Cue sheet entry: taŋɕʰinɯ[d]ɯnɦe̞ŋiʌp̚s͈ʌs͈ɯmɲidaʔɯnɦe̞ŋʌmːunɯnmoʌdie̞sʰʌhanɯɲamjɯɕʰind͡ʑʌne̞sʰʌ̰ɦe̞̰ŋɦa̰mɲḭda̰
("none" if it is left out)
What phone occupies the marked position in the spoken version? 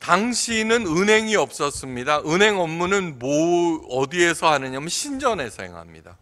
n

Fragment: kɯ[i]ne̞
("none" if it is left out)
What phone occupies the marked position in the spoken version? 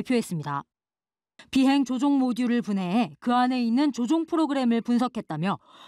a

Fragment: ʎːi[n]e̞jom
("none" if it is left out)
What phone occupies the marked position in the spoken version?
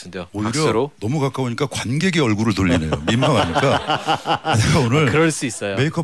n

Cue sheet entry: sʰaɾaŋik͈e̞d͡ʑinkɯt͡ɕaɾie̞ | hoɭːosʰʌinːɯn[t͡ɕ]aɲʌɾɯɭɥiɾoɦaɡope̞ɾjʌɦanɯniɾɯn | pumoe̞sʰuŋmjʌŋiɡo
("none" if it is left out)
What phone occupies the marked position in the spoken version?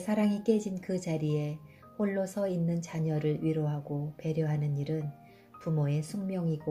t͡ɕ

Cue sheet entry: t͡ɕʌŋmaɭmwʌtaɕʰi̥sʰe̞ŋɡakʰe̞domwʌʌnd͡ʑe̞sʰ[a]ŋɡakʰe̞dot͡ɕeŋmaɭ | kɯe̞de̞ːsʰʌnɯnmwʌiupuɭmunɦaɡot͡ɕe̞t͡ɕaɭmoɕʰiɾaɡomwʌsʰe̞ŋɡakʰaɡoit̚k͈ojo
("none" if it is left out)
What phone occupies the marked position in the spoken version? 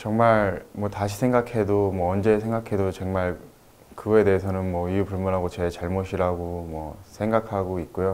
e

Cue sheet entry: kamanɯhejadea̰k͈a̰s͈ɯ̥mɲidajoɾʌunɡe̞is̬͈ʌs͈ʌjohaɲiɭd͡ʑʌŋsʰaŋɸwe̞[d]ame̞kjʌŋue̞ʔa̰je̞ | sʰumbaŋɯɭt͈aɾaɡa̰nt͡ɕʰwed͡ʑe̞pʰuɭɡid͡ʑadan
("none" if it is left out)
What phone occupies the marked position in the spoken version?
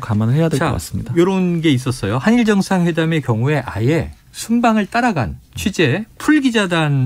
d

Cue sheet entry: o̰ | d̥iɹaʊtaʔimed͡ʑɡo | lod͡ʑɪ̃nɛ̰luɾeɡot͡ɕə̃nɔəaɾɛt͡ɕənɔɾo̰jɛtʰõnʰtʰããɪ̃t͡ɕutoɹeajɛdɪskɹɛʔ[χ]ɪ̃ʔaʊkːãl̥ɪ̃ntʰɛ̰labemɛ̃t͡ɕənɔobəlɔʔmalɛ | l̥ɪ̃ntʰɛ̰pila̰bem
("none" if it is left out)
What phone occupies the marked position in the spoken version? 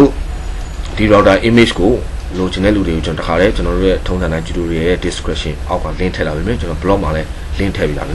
ʃ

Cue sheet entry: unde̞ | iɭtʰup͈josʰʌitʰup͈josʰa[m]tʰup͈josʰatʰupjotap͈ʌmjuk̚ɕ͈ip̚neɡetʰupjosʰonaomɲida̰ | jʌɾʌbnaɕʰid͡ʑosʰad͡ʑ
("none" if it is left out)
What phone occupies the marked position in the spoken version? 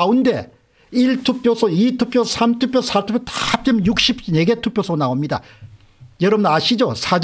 m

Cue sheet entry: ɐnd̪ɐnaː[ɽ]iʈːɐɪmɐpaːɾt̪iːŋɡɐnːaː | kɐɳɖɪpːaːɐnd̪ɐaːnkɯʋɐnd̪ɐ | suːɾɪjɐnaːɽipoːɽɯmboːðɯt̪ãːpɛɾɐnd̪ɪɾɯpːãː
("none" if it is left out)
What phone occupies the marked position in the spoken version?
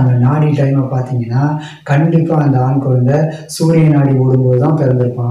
ɽ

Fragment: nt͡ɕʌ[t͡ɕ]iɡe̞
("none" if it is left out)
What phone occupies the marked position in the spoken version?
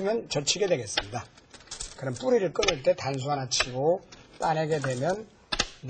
t͡ɕʰ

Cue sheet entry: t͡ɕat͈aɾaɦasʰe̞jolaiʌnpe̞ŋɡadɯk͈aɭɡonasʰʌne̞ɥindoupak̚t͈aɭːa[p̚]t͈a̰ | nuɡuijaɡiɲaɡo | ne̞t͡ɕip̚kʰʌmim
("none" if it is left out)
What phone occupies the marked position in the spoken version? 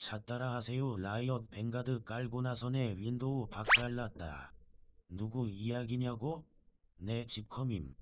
t̚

